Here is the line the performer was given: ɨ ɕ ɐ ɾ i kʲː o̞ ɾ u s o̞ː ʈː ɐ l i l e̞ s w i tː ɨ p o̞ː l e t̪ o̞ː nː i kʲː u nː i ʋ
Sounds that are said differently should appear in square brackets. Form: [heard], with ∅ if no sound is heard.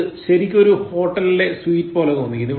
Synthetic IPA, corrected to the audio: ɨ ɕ ɐ ɾ i kʲː o̞ ɾ u [h] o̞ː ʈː ɐ l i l e̞ s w [iː] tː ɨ p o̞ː l e t̪ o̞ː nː i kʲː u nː i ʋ